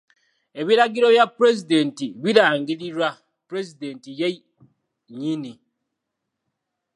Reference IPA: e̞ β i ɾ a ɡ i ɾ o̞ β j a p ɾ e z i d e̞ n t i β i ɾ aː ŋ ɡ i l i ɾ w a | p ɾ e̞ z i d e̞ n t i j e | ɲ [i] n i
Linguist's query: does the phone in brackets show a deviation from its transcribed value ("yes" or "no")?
no